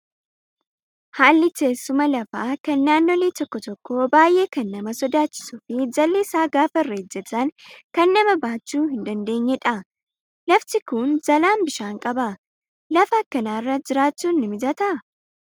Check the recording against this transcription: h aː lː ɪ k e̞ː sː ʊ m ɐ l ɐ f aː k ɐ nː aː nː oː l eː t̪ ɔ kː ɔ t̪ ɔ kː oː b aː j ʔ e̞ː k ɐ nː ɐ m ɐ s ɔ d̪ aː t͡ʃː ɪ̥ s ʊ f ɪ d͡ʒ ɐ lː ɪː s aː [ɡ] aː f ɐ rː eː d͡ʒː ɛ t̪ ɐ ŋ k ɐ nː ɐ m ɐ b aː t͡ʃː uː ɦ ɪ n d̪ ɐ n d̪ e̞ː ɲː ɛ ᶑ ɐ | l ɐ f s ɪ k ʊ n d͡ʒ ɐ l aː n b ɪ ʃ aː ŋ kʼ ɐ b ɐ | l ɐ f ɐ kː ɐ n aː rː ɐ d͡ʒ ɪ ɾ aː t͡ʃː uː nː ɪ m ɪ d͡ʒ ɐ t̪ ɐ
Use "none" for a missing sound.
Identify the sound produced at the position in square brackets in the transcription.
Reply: ɡ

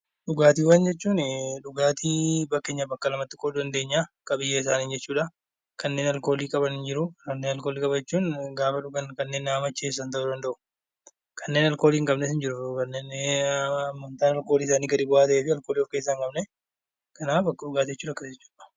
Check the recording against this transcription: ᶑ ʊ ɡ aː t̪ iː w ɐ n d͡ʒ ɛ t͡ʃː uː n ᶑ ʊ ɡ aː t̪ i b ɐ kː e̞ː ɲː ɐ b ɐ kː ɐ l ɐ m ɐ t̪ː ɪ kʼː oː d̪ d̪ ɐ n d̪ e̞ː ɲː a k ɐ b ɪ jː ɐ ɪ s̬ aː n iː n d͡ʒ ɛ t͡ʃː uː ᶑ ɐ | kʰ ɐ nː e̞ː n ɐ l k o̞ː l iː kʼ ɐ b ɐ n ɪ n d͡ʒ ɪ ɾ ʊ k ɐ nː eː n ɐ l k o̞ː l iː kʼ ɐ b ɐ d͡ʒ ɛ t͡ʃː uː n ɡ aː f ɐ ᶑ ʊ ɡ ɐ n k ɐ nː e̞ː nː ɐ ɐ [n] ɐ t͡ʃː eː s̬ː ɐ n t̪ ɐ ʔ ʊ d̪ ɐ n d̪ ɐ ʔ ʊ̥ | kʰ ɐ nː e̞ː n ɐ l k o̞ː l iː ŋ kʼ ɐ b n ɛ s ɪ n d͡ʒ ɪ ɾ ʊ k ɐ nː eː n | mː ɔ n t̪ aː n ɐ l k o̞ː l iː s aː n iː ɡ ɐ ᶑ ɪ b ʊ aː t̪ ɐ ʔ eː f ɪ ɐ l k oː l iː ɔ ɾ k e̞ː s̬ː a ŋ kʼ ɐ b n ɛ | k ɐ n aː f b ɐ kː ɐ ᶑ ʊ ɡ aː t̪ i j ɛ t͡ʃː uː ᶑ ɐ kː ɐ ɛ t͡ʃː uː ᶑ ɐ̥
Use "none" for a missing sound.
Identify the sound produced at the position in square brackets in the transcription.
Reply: m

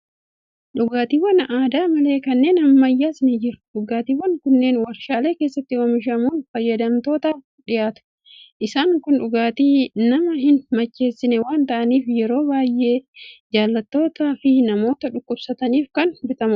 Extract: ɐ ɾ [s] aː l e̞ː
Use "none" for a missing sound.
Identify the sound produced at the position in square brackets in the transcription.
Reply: ʃ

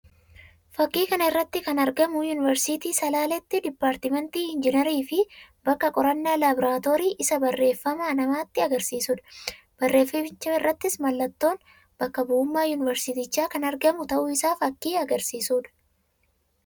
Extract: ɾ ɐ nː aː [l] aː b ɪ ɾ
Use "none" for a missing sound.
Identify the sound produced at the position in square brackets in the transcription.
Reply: l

